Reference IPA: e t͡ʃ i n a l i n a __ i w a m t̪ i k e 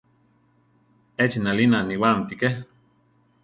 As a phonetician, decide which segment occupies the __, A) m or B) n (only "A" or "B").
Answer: B